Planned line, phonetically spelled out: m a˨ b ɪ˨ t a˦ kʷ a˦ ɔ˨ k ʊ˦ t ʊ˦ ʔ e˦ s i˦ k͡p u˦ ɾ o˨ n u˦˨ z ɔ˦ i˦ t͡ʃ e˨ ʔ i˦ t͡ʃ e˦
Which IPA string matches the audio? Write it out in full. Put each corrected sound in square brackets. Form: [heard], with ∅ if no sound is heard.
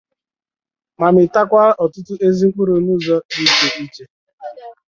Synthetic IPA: m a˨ [m] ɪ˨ t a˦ kʷ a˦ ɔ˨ [t] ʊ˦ t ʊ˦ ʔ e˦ [z] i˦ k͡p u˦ ɾ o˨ n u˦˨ z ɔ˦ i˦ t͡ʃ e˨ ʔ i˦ t͡ʃ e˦